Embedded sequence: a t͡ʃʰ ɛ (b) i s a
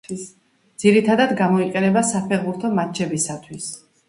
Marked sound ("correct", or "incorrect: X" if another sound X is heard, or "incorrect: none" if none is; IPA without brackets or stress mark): correct